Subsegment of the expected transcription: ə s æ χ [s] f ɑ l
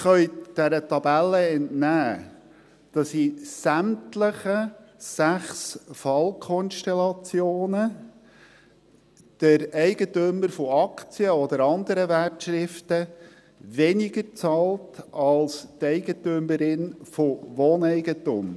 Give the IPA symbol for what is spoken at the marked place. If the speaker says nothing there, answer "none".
s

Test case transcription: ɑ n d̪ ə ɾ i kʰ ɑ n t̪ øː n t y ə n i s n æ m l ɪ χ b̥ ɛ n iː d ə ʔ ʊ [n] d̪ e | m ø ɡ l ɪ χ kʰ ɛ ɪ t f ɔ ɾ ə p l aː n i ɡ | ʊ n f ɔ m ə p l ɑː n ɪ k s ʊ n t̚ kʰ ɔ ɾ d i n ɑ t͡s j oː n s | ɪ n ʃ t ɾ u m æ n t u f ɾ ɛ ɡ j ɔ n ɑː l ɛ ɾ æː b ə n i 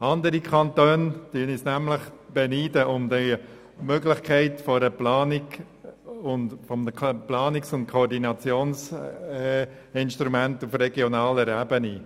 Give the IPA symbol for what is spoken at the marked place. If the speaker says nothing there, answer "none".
m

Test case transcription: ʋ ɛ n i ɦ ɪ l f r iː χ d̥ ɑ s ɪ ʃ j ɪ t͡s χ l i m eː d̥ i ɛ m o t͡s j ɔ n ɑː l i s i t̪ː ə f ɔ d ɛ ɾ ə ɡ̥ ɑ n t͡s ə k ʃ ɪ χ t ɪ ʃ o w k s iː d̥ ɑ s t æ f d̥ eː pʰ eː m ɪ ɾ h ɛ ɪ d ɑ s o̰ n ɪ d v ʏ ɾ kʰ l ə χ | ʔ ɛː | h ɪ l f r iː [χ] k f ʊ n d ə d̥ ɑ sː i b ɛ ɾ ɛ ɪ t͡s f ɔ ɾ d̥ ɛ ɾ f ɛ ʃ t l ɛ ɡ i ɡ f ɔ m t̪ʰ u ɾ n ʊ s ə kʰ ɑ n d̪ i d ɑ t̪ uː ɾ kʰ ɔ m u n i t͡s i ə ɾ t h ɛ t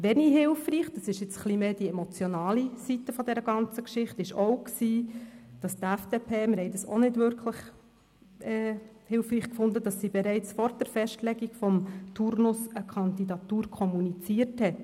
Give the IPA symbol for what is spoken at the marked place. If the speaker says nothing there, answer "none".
χ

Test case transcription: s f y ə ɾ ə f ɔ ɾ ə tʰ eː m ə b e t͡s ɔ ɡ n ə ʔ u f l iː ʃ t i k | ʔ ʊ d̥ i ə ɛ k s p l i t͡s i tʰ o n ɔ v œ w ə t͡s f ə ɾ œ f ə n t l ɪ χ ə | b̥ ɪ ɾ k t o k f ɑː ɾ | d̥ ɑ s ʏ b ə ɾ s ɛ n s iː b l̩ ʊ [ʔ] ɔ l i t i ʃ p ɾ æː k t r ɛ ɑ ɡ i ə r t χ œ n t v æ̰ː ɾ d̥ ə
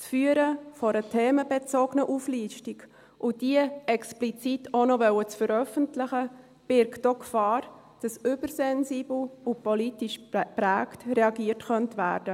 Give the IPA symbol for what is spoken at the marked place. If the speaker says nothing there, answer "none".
p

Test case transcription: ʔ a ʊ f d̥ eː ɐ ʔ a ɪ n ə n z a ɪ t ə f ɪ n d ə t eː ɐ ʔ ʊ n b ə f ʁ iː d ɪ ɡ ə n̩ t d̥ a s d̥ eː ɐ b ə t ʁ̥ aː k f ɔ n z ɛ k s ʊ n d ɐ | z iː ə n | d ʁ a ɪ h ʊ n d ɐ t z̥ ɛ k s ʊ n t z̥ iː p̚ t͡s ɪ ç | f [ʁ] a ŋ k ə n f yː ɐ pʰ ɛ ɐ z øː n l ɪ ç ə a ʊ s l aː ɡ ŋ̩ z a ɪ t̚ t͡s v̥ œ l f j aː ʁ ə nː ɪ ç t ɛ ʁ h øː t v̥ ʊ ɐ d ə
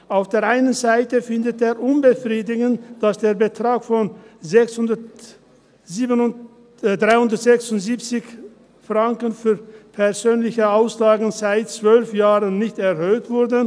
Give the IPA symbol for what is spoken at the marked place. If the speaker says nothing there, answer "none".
ʁ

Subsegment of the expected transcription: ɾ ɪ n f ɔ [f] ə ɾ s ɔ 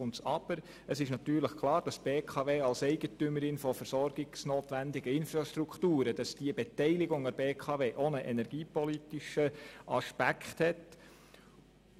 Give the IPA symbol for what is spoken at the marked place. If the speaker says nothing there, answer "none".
f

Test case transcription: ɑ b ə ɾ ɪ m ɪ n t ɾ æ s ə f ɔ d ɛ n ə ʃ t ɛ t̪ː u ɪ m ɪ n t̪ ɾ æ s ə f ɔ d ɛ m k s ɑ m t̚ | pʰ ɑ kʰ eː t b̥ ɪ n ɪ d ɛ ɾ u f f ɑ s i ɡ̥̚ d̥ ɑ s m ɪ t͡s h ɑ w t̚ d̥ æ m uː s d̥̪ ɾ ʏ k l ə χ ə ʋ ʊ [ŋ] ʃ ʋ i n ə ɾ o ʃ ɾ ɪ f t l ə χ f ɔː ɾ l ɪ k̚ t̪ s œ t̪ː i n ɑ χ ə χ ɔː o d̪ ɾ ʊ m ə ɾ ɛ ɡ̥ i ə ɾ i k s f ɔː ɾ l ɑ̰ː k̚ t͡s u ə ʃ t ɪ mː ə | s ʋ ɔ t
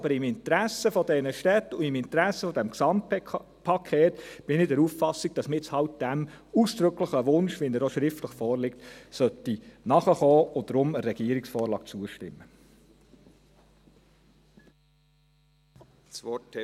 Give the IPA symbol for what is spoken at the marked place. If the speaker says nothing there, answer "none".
n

